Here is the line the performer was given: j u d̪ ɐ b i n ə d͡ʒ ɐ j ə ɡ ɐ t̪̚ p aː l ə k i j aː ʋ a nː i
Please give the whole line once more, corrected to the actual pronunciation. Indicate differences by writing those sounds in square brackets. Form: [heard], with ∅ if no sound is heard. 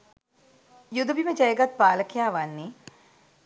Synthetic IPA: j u d̪ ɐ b i [m] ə d͡ʒ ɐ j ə ɡ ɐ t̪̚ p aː l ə k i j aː ʋ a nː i